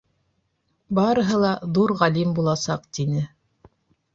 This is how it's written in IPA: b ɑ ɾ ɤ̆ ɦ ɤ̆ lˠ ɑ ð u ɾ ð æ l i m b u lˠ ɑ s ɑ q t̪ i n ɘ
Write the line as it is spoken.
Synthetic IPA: b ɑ ɾ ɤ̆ ɦ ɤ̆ lˠ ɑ ð u ɾ ʁ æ l i m b u lˠ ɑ s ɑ q t̪ i n ɘ